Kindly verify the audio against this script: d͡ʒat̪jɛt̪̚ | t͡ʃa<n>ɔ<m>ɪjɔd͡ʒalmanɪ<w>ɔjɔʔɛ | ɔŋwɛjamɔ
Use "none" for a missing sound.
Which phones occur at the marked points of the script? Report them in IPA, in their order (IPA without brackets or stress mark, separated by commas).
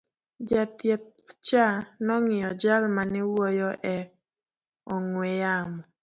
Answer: n, ŋ, w